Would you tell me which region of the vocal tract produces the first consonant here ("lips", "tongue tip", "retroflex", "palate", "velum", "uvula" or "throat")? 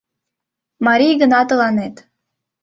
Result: lips